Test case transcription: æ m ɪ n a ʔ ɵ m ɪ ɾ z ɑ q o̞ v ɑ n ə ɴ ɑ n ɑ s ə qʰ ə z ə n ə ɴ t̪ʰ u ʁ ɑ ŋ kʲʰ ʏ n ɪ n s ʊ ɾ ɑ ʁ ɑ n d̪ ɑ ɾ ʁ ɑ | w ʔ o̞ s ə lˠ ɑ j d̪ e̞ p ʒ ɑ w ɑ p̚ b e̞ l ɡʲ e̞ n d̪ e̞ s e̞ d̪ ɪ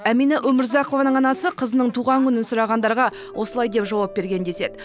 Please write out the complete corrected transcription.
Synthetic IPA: æ m i n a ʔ ɵ m ɪ ɾ z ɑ q o̞ v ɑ n ə ɴ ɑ n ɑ s ə qʰ ə z ə n ə ɴ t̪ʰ u ʁ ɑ ŋ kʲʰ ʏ n ɪ n s ʊ ɾ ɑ ʁ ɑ n d̪ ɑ ɾ ʁ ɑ | w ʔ o̞ s ə lˠ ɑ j d̪ e̞ p ʒ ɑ w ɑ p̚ b e̞ ɾ ɡʲ e̞ n d̪ e̞ s e̞ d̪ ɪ

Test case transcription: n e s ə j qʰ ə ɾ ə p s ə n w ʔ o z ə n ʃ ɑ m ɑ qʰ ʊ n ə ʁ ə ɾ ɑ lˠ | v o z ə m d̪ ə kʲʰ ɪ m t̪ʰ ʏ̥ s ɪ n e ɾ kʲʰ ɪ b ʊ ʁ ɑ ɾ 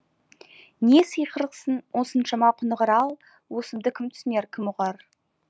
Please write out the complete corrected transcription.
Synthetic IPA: n e s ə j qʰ ə ɾ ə q s ə n w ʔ o s ə n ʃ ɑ m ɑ qʰ ʊ n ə ʁ ə ɾ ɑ lˠ | w o s ə m d̪ ə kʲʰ ɪ m t̪ʰ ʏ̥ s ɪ n e ɾ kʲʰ ɪ m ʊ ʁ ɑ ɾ

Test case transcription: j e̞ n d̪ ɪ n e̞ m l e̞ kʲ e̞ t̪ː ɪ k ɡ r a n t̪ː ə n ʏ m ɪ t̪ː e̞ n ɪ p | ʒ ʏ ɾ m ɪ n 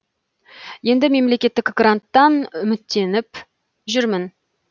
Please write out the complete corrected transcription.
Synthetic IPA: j e̞ n d̪ ɪ m e̞ m l e̞ kʲ e̞ t̪ː ɪ k ɡ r a n t̪ː ɑ n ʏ m ɪ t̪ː e̞ n ɪ p | ʒ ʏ ɾ m ɪ n

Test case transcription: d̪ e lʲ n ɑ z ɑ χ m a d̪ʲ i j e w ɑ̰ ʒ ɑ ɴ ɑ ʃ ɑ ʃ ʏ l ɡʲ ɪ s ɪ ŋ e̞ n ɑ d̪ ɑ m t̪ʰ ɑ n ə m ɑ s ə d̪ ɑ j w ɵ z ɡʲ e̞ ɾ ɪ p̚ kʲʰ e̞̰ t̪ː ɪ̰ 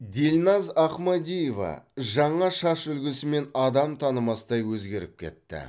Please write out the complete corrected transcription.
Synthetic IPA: d̪ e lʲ n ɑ z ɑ χ m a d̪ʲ i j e v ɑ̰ ʒ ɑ ɴ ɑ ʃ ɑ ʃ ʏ l ɡʲ ɪ s ɪ m e̞ n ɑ d̪ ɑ m t̪ʰ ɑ n ə m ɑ s ə d̪ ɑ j w ɵ z ɡʲ e̞ ɾ ɪ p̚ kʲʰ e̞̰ t̪ː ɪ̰

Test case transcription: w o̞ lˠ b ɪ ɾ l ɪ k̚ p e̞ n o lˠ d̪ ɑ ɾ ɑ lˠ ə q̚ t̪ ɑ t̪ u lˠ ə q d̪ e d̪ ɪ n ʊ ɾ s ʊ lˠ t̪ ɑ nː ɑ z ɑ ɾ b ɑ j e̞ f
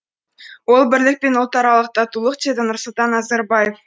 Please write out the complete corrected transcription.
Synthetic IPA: w o̞ lˠ b ɪ ɾ l ɪ k̚ p e̞ n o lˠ t̪ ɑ ɾ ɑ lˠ ə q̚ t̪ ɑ t̪ u lˠ ə q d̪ e d̪ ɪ n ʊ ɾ s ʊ lˠ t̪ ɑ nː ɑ z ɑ ɾ b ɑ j e̞ f

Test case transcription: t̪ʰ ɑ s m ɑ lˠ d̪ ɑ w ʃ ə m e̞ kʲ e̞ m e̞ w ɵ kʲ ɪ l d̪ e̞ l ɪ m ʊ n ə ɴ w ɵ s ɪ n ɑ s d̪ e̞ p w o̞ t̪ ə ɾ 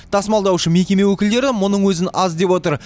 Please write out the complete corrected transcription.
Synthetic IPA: t̪ʰ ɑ s m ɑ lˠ d̪ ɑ w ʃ ə m e̞ kʲ e̞ m e̞ w ɵ kʲ ɪ l d̪ e̞ ɾ ɪ m ʊ n ə ɴ w ɵ z ɪ n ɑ z d̪ e̞ p w o̞ t̪ ə ɾ

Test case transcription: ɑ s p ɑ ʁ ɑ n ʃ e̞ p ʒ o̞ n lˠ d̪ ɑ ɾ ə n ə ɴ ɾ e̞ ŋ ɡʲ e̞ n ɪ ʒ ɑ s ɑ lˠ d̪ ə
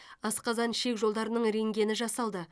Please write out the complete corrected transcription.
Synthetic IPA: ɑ s q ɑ z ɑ n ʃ e̞ k ʒ o̞ lˠ d̪ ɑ ɾ ə n ə ɴ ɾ e̞ ŋ ɡʲ e̞ n ɪ ʒ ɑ s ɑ lˠ d̪ ə

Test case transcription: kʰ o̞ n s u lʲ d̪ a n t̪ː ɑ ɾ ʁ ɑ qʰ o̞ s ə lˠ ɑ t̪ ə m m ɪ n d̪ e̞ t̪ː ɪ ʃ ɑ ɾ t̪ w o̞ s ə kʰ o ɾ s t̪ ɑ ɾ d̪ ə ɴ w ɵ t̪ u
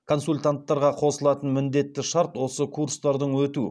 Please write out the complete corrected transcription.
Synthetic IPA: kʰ o̞ n s u lʲ t̪ a n t̪ː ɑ ɾ ʁ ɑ qʰ o̞ s ə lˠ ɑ t̪ ə n m ɪ n d̪ e̞ t̪ː ɪ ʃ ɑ ɾ t̪ w o̞ s ə kʰ u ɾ s t̪ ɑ ɾ d̪ ə ɴ w ɵ t̪ u

